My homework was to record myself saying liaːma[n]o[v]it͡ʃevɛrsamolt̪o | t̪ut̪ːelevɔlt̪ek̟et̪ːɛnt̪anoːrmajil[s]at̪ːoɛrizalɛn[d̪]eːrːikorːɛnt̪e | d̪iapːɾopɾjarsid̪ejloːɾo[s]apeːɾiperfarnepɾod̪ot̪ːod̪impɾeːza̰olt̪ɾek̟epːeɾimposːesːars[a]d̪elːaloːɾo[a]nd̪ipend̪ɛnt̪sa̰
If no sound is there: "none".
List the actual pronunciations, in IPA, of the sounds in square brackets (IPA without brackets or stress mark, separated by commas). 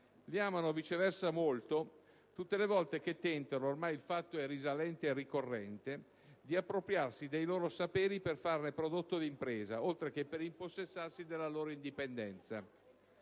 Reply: n, v, f, t̪, s, i, i